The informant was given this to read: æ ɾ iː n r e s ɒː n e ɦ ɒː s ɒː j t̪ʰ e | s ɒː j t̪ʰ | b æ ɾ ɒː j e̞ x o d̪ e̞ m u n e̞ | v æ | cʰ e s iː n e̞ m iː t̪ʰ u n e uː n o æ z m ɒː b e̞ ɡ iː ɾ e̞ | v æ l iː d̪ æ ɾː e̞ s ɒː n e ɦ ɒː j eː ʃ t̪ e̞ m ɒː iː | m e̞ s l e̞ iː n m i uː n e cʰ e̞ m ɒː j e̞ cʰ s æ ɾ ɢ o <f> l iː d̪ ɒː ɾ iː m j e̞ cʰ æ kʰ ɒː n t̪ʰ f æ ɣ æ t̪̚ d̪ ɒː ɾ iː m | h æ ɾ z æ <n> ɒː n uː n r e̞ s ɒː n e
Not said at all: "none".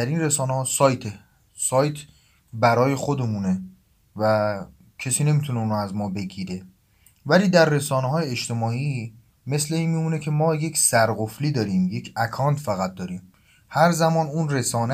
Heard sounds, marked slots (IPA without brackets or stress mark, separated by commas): f, m